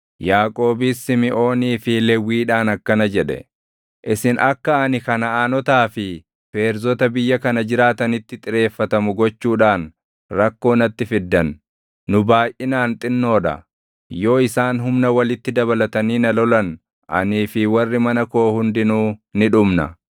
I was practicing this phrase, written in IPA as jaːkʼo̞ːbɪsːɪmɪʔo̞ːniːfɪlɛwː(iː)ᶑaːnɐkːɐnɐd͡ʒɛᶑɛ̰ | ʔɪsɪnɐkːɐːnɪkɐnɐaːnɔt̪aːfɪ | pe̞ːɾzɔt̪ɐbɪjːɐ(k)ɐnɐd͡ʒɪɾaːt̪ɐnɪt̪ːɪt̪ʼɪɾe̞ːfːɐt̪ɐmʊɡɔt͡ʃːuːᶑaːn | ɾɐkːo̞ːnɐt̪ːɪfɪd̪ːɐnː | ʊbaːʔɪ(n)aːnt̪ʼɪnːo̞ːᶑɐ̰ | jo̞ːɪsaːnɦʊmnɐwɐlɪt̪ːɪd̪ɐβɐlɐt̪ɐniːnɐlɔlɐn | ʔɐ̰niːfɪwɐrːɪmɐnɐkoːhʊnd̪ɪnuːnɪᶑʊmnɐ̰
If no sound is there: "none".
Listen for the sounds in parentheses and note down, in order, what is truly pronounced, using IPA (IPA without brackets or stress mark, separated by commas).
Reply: iː, k, n